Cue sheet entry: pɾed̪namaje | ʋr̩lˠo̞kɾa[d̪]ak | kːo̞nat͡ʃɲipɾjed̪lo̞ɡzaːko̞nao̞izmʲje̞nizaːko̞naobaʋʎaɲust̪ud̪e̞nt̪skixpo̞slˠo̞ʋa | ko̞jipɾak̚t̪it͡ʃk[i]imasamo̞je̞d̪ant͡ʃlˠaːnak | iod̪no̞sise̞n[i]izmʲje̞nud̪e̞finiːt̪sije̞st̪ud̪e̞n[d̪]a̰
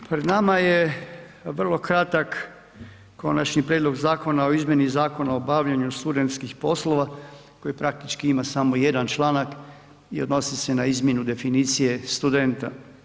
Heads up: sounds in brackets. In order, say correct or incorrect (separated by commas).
incorrect, correct, incorrect, incorrect